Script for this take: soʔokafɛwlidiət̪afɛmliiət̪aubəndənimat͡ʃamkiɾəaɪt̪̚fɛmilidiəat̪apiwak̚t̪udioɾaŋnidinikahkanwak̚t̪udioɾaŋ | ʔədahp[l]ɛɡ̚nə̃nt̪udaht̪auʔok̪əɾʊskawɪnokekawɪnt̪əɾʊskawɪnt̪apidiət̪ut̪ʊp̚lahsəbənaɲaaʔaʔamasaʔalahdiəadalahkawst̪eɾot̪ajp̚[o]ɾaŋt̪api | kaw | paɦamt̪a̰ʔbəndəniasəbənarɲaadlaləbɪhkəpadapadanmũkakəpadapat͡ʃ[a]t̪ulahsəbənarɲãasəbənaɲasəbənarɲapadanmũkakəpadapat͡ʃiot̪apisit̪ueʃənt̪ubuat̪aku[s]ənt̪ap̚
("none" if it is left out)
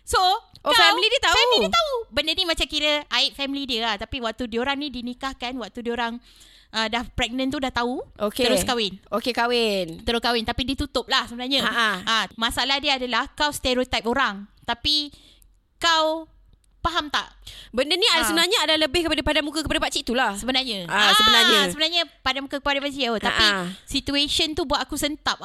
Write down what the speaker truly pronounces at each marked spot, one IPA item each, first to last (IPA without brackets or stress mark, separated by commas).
ɾ, o, i, s